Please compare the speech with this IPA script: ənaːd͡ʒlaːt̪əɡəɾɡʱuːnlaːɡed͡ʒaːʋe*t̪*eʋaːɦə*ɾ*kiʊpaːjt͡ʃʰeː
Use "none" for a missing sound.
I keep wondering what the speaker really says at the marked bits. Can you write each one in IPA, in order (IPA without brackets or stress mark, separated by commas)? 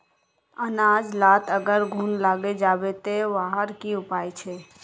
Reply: t̪, ɾ